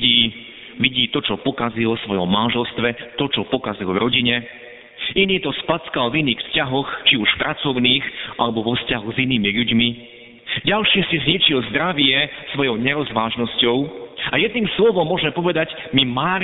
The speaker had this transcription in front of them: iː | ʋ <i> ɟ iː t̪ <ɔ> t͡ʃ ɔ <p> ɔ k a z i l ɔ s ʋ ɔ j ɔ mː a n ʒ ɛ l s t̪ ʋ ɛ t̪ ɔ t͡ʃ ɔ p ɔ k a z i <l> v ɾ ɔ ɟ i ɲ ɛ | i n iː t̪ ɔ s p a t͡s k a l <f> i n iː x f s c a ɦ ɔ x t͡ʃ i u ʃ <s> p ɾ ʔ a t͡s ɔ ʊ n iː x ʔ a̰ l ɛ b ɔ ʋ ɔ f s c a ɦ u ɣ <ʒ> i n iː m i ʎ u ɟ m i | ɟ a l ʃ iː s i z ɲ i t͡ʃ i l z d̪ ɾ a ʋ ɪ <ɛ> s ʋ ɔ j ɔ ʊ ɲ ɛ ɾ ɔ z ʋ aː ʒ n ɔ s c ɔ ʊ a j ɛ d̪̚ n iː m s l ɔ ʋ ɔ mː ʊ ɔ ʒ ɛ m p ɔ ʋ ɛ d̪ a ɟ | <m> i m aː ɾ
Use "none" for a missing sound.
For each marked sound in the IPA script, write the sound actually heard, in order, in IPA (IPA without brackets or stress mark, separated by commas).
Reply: i, ɔ, p, l, v, f, z, ɛ, m